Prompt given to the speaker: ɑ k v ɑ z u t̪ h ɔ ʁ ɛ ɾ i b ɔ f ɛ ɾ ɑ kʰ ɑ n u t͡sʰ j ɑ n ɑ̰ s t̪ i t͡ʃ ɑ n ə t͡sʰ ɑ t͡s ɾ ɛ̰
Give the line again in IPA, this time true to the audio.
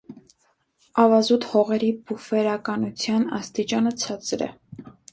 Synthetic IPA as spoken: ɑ v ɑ z u t̪ h ɔ ʁ ɛ ɾ i b u f ɛ ɾ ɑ k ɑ n u t͡sʰ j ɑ n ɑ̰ s t̪ i t͡ʃ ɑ n ə t͡sʰ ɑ t͡s ɾ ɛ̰